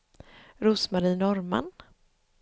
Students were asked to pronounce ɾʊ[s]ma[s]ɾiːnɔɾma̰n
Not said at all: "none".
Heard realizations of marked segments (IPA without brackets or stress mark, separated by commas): s, none